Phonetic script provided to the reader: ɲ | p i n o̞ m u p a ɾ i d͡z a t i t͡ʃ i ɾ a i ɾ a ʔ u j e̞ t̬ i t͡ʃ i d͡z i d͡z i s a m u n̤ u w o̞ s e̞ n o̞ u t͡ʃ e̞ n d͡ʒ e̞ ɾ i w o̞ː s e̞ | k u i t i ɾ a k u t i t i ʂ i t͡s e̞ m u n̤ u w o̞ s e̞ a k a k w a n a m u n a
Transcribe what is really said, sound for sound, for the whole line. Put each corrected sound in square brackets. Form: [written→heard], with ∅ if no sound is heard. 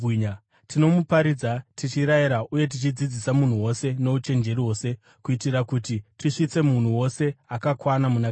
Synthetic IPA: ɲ | [p→t] i n o̞ m u p a ɾ i d͡z a t i t͡ʃ i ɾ a i ɾ a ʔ u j e̞ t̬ i t͡ʃ i d͡z i d͡z i s a m u n̤ u w o̞ s e̞ n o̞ u t͡ʃ e̞ n d͡ʒ e̞ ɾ i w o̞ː s e̞ | k u i t i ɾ a k u t i t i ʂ i t͡s e̞ m u n̤ u w o̞ s e̞ a k a k w a n a m u n a